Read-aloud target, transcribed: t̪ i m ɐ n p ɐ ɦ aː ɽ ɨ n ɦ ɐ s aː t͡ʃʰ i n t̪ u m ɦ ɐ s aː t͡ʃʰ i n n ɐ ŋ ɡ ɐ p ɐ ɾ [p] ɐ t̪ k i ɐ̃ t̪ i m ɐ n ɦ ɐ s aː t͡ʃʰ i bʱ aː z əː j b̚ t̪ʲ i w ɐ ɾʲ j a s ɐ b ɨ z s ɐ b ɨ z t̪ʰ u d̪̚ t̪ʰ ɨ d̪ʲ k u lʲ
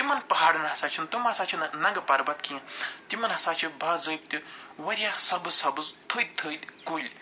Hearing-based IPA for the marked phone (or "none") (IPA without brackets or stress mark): b